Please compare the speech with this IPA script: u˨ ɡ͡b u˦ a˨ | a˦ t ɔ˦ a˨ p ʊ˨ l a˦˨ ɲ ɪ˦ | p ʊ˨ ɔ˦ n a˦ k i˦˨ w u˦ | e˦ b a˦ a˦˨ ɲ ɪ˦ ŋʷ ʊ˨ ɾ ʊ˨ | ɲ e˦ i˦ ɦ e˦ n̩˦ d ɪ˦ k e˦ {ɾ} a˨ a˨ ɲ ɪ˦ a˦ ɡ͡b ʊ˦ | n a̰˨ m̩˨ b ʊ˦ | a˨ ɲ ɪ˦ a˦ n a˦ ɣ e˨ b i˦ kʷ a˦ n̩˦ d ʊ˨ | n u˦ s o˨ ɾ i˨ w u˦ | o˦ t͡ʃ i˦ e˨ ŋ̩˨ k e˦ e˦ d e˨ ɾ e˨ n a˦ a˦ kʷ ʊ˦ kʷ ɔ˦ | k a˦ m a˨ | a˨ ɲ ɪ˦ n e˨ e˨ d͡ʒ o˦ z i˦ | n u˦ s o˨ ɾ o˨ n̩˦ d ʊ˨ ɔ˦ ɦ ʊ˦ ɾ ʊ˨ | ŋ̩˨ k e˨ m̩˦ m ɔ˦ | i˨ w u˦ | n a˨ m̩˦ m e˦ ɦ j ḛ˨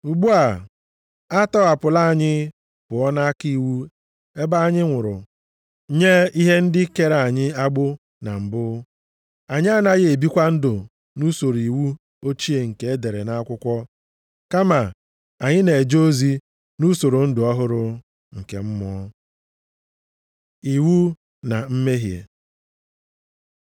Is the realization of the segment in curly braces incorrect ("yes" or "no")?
no